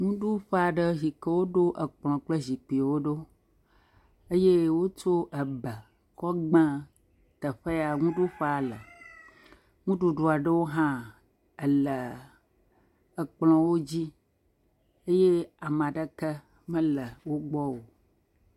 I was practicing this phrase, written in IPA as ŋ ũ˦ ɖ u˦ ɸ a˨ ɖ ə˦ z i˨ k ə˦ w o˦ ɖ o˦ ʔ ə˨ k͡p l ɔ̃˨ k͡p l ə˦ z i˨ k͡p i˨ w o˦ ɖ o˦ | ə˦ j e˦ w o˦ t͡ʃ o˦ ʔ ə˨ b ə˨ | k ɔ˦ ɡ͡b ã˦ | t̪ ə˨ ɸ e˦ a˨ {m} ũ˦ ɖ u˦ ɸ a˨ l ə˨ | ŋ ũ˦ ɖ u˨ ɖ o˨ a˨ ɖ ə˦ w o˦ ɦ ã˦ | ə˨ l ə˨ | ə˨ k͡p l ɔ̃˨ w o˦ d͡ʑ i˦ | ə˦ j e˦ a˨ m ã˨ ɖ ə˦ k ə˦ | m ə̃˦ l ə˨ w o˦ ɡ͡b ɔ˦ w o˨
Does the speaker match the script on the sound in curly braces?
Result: no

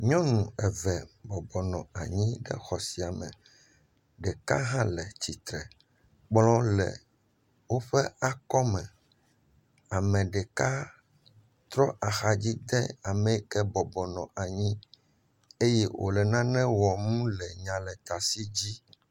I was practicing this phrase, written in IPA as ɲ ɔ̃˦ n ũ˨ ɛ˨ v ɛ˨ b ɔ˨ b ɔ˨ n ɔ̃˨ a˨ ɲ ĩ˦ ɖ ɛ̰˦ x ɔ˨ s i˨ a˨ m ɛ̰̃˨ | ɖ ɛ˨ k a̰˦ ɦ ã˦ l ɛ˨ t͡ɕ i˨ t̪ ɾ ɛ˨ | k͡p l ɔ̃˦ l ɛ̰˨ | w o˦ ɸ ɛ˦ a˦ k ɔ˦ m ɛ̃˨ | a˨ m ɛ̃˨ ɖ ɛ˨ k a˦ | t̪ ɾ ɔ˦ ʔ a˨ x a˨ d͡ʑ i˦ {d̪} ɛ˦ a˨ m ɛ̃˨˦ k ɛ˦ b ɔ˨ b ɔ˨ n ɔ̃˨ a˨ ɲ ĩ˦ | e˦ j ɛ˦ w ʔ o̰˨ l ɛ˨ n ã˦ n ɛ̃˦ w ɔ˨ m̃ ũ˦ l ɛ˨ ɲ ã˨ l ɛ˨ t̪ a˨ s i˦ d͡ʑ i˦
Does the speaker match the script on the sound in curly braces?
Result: yes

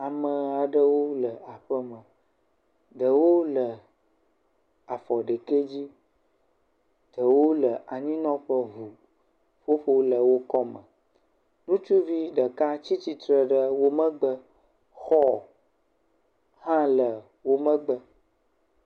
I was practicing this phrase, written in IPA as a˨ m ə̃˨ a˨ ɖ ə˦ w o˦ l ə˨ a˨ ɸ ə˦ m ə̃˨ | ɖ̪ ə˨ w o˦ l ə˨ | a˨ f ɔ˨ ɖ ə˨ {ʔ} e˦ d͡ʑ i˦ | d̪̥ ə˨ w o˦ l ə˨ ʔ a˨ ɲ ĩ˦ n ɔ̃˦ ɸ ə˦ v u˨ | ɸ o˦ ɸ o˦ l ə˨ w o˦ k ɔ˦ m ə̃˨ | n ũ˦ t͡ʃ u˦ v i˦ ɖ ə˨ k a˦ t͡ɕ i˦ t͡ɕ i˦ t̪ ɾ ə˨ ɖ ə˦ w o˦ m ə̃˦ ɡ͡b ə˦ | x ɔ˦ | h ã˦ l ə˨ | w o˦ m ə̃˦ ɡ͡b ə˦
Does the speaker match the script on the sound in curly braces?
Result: no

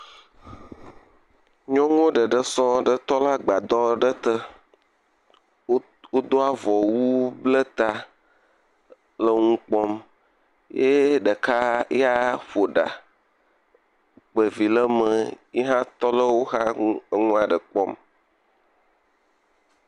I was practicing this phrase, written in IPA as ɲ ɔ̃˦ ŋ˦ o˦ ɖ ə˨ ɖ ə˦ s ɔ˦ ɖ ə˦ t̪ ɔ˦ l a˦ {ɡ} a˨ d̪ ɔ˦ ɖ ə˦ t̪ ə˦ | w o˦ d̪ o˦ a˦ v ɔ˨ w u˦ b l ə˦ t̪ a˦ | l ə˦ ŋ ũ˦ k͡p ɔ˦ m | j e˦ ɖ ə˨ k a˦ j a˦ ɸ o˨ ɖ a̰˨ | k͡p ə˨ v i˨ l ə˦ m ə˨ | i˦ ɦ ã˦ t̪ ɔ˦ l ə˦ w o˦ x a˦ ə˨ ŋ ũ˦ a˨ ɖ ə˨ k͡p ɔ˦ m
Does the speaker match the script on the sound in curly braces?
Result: no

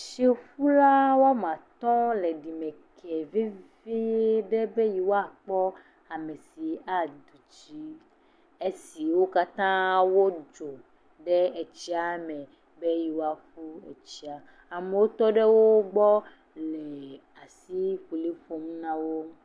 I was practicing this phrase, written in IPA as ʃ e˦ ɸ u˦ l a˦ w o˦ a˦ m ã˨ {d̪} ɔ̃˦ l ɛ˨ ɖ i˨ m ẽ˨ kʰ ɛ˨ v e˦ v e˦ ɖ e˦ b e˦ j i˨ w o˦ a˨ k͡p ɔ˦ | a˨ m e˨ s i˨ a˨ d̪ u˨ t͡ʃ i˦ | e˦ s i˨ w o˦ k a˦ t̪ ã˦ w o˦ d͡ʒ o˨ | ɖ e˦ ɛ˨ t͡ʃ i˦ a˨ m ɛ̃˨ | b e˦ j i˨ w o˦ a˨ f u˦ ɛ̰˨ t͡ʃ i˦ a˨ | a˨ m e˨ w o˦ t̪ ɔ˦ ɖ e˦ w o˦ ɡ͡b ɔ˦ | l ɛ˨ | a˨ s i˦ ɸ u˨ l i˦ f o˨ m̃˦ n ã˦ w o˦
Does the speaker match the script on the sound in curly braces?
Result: no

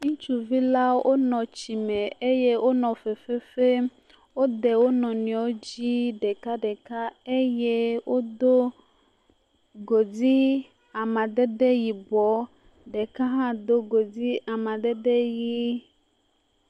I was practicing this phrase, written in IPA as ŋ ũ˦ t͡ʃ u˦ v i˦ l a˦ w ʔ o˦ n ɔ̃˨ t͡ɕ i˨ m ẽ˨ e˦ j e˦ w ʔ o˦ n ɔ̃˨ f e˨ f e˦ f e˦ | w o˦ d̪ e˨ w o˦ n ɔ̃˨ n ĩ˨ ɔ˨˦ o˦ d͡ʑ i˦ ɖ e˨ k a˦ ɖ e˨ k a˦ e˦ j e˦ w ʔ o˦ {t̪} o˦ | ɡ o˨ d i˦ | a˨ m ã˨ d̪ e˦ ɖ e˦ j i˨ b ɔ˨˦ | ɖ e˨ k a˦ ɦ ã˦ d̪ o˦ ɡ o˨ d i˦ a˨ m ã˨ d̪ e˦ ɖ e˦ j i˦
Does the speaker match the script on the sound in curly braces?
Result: no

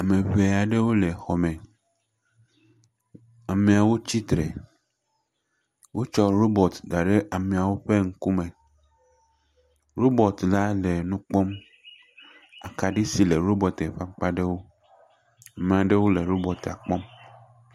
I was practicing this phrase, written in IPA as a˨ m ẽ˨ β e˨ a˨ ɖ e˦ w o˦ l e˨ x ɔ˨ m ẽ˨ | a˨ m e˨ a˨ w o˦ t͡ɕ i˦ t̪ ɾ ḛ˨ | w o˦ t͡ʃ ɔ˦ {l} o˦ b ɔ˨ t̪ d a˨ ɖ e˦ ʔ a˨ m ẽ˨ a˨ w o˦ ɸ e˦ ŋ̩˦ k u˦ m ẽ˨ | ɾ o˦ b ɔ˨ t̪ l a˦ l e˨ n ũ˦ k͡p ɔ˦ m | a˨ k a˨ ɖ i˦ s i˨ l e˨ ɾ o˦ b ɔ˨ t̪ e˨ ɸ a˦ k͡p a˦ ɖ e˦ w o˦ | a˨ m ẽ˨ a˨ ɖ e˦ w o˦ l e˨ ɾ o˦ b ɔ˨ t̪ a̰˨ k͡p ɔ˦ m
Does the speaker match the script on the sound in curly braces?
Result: no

